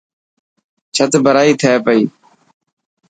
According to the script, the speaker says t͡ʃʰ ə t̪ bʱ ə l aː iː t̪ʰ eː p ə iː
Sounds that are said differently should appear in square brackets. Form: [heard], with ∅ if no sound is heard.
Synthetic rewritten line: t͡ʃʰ ə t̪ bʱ ə [ɾ] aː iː t̪ʰ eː p ə iː